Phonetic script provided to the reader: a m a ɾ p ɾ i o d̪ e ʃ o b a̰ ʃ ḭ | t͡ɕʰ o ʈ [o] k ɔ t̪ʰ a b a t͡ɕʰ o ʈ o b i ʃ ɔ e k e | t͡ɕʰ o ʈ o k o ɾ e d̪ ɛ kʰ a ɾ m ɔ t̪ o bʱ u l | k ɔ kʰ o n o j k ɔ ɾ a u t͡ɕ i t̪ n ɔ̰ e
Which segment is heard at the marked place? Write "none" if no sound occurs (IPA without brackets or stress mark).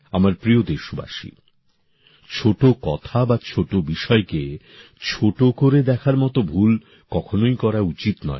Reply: o